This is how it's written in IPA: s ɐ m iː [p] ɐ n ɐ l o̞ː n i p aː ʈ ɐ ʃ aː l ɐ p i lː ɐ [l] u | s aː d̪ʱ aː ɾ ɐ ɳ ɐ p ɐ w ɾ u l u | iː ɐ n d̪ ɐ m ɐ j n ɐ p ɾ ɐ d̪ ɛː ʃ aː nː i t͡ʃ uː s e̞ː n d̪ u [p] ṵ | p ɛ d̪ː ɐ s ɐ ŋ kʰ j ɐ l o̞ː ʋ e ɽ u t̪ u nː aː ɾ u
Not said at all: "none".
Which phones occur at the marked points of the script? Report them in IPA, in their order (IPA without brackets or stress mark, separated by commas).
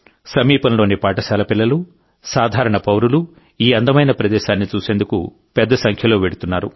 p, l, k